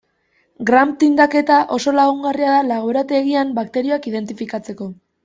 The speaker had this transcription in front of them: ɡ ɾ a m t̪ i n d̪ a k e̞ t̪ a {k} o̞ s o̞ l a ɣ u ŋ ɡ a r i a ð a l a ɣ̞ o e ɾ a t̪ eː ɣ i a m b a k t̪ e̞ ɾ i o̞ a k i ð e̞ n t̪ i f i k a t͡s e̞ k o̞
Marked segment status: incorrect: ʔ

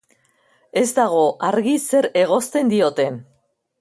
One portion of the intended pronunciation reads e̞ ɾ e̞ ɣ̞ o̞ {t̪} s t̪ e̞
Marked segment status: incorrect: none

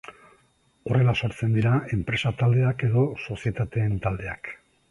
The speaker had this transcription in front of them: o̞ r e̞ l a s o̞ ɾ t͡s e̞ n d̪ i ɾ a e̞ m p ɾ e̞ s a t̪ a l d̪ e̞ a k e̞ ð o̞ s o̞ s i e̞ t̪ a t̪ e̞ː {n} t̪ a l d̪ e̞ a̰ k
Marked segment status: correct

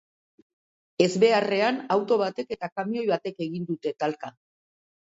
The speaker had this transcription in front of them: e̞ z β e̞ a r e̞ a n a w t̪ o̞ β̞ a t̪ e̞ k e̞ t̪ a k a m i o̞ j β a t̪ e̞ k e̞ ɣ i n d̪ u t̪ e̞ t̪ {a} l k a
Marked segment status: correct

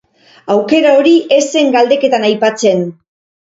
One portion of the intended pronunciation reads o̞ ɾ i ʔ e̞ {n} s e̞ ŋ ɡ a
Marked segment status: incorrect: none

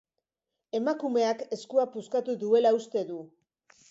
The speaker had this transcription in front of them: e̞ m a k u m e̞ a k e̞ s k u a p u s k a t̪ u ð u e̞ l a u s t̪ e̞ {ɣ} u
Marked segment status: incorrect: ð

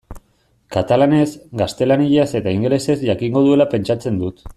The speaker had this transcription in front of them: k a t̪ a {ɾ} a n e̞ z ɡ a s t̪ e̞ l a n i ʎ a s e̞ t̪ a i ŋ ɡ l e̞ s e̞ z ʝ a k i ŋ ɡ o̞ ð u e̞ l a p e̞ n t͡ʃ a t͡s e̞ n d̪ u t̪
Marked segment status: incorrect: l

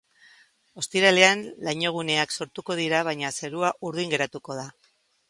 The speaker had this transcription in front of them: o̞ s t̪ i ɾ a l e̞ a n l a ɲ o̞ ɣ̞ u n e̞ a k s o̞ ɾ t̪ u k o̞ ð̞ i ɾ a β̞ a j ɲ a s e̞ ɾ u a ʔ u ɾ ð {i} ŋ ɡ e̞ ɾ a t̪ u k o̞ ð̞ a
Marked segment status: correct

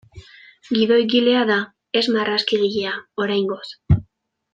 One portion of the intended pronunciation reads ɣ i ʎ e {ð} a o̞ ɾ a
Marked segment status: incorrect: none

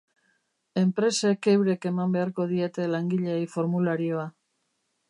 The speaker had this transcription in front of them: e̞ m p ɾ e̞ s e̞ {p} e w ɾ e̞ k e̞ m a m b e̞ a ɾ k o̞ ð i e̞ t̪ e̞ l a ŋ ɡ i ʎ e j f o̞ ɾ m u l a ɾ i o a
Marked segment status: incorrect: k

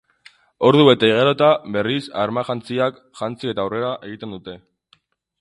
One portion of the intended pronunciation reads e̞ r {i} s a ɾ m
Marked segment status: correct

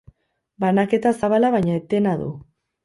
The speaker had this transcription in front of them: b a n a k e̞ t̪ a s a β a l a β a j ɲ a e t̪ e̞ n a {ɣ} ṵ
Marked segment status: incorrect: ð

